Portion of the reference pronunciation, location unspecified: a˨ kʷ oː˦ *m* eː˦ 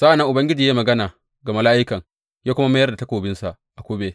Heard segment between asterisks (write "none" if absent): b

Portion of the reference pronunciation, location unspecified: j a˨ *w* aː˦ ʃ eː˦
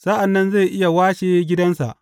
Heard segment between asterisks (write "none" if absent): w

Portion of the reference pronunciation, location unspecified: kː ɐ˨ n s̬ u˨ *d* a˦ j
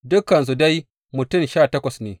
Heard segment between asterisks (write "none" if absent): d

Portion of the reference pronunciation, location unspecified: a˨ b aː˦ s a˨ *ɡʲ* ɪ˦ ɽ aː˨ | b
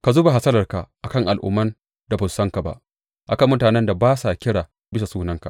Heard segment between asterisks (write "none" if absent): kʲ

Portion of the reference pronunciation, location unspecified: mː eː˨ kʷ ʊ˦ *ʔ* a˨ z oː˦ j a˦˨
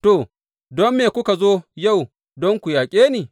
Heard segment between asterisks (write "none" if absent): k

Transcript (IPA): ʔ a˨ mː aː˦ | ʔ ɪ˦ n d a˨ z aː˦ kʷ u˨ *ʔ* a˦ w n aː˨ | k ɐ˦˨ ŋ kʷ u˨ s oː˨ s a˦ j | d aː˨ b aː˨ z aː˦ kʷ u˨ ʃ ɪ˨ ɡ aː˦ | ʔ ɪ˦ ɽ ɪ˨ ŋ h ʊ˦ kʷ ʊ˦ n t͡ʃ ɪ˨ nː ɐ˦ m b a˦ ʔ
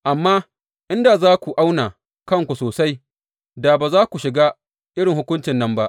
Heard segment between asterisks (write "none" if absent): ʔ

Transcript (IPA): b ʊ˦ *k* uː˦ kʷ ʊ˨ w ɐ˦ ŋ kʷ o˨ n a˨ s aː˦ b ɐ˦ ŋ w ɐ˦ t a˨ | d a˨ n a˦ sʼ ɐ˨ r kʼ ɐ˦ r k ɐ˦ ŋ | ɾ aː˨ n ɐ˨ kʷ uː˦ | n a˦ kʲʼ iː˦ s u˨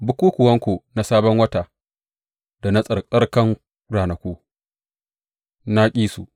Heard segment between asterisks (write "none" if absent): k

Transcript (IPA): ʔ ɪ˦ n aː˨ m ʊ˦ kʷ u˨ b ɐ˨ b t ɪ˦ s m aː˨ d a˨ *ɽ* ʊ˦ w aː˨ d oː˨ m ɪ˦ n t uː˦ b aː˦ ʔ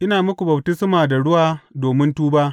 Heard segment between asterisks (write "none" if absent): ɽ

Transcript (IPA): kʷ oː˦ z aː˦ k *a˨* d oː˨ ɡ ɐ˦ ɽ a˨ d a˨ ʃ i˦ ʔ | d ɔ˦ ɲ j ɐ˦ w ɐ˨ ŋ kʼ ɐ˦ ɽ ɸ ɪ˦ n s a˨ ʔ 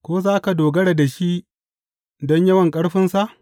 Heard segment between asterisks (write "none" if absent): a˨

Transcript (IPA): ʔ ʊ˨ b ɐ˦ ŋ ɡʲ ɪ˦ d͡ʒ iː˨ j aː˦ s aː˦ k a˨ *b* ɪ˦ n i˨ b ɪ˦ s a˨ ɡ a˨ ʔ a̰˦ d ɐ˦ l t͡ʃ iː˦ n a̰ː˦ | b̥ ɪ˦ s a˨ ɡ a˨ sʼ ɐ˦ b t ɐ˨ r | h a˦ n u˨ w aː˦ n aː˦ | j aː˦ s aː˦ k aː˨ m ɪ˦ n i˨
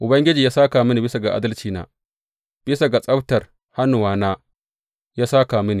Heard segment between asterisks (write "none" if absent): m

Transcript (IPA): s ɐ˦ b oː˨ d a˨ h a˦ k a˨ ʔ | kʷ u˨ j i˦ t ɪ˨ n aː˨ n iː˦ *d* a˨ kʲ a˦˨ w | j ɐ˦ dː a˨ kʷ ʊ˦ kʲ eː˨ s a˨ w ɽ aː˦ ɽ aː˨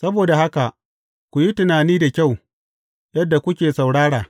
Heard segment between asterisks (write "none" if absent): d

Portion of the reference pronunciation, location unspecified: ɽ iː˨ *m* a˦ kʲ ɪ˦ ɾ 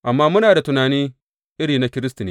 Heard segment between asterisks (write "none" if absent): n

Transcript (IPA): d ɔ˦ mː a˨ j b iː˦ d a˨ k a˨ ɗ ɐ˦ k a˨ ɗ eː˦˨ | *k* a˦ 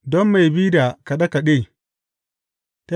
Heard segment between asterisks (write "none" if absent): t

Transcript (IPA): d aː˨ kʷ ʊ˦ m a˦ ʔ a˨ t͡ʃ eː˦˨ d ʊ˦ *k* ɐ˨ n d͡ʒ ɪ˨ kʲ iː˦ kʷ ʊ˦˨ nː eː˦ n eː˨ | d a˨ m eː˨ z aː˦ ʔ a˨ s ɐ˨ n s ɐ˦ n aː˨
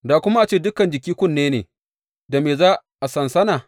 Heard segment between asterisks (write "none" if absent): k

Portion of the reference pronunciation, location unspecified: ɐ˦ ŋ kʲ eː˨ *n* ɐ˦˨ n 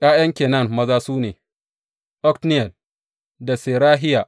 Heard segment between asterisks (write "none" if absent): n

